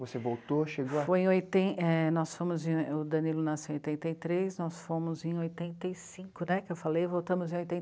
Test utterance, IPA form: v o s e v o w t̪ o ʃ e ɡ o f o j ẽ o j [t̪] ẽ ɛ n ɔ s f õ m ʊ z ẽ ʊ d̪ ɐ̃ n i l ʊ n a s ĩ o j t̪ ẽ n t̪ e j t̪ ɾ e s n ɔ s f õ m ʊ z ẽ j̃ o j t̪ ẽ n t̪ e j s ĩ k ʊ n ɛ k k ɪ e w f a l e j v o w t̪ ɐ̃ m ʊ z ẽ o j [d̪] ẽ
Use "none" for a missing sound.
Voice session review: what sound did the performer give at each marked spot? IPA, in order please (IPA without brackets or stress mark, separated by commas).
t̪, t̪